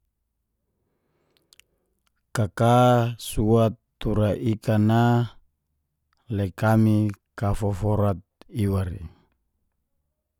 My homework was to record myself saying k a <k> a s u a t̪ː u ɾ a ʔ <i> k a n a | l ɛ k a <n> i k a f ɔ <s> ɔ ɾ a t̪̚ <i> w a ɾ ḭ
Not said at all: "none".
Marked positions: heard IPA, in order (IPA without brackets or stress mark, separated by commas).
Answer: k, i, m, f, i